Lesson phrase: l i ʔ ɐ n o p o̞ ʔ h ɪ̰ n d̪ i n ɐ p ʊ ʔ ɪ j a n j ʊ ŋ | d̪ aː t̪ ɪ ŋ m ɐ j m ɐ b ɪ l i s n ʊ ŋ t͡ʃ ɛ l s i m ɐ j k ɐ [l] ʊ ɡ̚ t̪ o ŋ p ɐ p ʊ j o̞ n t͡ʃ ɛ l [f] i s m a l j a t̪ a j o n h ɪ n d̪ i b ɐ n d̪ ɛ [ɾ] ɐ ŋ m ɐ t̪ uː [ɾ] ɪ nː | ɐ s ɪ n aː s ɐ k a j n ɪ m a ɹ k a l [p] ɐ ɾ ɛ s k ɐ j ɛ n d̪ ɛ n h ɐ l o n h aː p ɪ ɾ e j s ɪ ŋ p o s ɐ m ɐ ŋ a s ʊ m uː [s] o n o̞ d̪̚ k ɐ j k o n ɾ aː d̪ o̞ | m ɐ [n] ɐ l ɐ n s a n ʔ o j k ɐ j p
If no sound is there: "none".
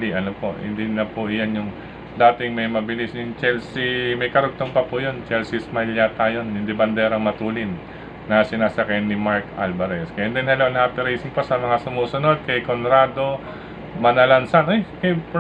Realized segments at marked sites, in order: ɾ, s, ɾ, l, b, s, n

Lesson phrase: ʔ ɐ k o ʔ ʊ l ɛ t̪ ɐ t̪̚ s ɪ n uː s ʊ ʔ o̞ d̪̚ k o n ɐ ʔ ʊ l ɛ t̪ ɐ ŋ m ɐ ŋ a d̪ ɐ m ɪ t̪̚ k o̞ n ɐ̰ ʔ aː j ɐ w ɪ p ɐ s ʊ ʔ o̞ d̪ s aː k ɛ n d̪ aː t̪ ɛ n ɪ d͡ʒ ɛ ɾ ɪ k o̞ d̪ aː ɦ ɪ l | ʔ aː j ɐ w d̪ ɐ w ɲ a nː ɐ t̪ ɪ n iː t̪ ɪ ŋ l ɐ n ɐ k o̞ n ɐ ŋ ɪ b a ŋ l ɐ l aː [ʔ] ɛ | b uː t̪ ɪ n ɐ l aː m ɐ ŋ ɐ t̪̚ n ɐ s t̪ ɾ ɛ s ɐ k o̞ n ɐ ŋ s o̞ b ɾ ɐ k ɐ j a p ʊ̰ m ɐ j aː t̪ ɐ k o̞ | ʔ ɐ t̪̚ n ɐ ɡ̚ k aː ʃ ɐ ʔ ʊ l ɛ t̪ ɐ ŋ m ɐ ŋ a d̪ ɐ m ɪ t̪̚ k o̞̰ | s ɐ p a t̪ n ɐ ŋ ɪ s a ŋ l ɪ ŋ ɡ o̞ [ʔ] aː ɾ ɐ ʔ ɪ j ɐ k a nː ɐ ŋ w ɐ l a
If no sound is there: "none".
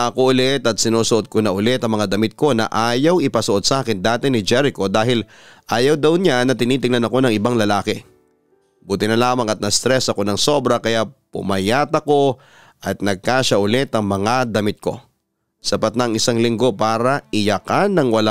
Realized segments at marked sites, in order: k, p

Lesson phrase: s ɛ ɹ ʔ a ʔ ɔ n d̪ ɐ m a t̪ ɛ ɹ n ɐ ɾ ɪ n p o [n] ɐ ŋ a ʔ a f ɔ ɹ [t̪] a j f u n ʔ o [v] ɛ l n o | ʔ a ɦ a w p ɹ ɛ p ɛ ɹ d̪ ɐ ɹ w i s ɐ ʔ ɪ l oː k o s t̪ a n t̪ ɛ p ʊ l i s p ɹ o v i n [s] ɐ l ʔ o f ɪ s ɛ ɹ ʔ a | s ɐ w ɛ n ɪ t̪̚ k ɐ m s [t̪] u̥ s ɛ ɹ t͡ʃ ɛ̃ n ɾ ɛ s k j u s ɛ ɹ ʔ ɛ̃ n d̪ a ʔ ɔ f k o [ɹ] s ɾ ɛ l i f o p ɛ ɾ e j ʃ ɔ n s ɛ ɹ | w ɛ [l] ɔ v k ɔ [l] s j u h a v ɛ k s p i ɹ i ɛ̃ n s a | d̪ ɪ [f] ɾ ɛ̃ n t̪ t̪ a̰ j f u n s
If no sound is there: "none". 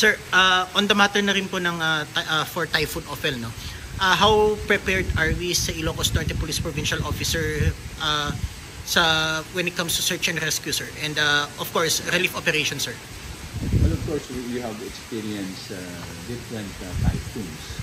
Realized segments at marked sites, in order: n, t̪, f, ʃ, t̪, ɹ, l, ɹ, f

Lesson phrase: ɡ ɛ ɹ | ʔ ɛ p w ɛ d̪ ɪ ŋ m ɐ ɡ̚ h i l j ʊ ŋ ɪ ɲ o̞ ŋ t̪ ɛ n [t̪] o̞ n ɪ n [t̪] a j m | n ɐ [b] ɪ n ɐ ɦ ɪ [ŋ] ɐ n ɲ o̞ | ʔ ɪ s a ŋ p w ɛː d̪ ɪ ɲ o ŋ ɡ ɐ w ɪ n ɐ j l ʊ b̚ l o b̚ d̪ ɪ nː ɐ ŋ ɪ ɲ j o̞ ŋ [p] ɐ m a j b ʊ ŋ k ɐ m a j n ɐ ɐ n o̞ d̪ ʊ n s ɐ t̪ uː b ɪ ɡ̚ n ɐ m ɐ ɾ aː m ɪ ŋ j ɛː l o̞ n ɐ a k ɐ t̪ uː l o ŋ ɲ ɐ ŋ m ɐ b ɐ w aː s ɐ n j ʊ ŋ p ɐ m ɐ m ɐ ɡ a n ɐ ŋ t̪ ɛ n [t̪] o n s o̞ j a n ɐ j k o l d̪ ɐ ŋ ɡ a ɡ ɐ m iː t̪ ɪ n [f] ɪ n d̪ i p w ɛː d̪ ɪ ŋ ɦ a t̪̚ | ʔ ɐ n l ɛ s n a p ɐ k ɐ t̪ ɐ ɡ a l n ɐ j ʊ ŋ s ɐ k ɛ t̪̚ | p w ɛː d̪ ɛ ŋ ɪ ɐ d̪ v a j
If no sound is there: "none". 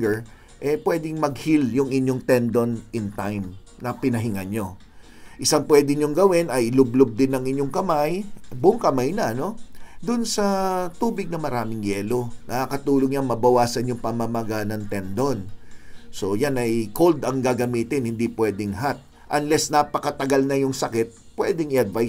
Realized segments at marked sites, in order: d̪, t̪, p, ŋ, k, d̪, h

